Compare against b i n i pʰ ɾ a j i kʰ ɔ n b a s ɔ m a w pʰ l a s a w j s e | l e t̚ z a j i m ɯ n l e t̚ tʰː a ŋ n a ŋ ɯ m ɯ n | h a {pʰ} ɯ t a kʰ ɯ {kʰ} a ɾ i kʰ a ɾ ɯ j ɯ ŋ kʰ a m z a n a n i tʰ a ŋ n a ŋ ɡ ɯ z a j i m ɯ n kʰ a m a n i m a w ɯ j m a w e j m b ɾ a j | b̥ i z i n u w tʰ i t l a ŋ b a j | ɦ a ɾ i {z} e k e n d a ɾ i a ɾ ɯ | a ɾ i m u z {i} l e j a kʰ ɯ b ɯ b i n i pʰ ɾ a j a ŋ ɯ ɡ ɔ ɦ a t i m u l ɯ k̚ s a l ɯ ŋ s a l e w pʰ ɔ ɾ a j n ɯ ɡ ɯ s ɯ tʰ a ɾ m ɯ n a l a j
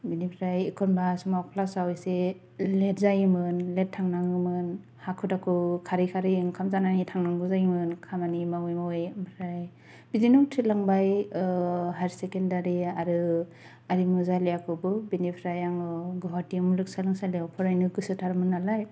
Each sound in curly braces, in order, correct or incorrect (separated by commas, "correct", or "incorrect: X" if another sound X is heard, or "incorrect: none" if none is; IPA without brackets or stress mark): incorrect: kʰ, correct, incorrect: s, incorrect: a